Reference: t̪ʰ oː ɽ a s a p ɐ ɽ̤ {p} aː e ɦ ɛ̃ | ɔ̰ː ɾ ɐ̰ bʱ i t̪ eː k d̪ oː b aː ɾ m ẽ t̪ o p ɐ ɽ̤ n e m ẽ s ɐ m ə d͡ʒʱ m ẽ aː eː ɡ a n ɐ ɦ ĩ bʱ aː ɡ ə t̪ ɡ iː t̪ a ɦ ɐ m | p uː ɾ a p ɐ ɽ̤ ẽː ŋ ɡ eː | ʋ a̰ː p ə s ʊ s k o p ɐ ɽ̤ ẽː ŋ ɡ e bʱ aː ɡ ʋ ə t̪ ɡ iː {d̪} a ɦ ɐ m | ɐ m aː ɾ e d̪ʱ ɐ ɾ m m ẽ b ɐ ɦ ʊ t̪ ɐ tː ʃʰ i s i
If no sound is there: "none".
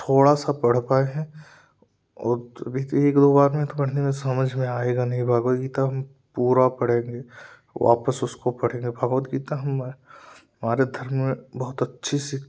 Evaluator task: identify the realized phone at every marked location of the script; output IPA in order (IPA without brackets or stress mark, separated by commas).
p, t̪